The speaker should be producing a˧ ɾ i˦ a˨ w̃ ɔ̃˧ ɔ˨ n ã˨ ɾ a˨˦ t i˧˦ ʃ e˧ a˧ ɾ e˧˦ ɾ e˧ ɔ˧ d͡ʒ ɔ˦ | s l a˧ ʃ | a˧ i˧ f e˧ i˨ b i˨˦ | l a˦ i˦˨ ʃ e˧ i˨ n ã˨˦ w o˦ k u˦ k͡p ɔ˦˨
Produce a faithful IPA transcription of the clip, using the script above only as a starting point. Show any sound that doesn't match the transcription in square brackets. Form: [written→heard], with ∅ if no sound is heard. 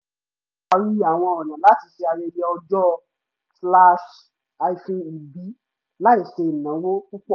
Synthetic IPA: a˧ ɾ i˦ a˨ w̃ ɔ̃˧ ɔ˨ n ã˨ [ɾ→l] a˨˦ t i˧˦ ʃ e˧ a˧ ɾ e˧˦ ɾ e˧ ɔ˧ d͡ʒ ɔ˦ | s l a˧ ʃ | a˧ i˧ f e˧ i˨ b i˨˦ | l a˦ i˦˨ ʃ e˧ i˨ n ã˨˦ w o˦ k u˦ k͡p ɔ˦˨